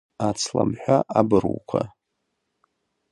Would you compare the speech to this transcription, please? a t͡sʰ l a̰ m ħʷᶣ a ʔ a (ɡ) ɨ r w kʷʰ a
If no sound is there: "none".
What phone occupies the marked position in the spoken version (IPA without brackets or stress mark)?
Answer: b